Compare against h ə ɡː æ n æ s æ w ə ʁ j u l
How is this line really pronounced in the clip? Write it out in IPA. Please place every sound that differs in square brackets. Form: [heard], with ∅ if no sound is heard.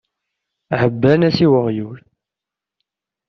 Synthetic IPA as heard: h ə [bː] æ n æ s [i] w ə ʁ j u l